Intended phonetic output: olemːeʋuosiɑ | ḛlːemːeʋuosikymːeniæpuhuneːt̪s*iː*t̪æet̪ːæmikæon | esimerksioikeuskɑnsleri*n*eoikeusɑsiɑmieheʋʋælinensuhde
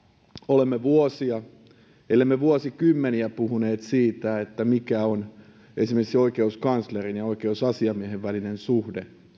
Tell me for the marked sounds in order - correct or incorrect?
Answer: correct, correct

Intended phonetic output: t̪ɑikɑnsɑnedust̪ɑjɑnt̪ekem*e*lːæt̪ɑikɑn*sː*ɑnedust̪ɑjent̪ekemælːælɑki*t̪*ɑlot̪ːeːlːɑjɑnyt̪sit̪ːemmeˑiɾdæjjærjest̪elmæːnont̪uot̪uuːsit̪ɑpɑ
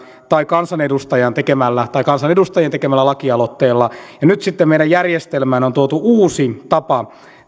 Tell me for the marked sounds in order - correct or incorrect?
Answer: incorrect, incorrect, incorrect

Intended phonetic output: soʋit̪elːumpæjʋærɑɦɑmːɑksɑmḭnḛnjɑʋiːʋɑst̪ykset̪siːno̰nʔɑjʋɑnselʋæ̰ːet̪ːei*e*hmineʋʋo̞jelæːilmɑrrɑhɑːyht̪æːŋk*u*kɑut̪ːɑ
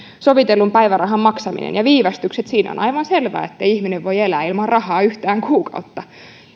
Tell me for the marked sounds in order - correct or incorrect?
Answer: incorrect, incorrect

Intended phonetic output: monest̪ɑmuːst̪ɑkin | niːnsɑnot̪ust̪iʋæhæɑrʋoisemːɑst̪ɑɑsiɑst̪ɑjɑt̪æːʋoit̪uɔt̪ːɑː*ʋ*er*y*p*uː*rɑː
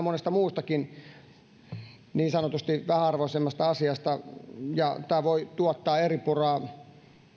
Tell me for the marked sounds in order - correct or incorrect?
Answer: incorrect, incorrect, incorrect

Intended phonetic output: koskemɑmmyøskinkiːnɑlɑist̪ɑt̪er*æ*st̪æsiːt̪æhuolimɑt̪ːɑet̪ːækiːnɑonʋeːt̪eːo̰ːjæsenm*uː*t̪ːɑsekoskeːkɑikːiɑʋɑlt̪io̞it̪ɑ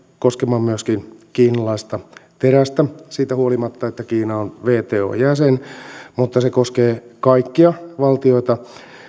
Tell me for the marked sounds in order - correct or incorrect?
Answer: correct, incorrect

